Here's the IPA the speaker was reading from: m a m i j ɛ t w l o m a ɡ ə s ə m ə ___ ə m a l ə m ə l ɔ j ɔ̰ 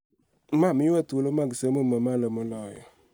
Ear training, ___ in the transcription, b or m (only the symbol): m